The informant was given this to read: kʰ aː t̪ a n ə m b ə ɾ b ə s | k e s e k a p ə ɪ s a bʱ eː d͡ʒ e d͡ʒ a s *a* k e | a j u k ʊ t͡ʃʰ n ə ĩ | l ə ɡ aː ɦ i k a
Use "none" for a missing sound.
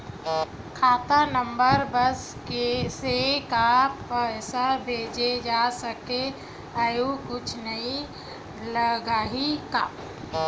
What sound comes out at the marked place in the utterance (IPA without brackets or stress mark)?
ə